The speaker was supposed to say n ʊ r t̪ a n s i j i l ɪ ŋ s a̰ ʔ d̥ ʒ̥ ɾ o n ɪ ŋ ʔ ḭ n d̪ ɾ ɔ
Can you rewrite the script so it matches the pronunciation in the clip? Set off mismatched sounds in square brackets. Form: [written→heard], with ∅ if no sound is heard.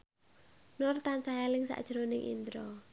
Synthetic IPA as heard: n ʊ r t̪ a n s [i→a] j [i→a] l ɪ ŋ s a̰ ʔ d̥ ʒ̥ ɾ o n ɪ ŋ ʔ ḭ n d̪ ɾ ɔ